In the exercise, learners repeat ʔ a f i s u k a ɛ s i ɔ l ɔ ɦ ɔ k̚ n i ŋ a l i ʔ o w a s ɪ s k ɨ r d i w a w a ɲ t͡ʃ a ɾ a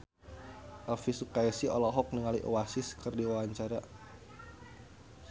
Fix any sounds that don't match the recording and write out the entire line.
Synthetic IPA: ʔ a f i s u k a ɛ s i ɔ l ɔ ɦ ɔ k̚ n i ŋ a l i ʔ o w a s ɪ s k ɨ r d i w a w a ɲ t͡ʃ a ɾ a